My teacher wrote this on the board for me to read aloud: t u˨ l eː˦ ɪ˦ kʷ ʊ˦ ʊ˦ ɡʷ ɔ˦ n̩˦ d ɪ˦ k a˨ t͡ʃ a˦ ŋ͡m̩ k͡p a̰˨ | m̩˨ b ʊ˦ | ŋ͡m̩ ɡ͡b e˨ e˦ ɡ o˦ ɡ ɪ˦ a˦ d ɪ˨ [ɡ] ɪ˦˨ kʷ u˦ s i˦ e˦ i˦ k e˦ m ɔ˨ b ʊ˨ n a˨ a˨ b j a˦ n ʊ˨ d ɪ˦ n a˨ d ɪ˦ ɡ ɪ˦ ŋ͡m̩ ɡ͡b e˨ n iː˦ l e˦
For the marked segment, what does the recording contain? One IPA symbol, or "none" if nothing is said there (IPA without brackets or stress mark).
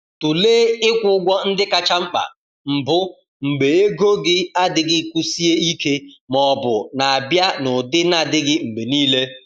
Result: ɡ